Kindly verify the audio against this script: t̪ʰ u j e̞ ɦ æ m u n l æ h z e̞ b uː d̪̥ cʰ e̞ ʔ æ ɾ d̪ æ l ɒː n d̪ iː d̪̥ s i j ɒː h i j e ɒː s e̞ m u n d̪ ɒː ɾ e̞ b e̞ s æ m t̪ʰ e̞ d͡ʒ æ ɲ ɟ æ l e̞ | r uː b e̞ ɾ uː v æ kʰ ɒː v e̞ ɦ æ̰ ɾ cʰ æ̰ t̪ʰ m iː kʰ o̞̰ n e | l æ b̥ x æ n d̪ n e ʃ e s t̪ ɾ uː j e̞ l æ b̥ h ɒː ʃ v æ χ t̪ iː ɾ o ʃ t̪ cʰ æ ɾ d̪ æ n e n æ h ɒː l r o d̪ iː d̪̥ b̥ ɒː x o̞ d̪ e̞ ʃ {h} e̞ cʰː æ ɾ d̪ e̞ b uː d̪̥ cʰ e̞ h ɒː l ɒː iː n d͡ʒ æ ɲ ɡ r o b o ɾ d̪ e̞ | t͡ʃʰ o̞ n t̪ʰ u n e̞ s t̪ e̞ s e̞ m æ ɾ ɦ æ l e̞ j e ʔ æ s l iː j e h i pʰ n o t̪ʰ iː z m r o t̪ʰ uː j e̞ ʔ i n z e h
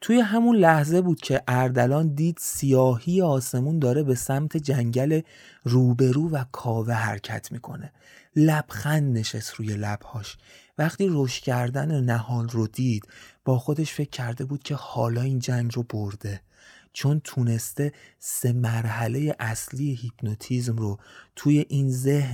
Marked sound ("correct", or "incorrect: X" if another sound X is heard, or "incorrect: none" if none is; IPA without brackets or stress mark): incorrect: f